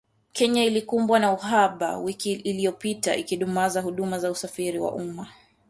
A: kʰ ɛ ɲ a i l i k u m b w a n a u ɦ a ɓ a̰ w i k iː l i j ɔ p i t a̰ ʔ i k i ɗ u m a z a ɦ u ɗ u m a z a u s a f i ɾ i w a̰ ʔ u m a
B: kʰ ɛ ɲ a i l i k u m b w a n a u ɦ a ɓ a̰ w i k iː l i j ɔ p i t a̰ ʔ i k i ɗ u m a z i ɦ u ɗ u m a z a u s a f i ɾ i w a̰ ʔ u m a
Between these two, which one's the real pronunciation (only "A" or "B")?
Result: A